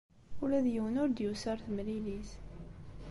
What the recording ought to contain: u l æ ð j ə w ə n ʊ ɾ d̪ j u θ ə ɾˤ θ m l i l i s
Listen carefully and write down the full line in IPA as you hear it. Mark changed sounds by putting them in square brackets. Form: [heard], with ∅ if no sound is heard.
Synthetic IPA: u l æ ð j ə w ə n ʊ ɾ d̪ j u [s] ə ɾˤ θ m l i l i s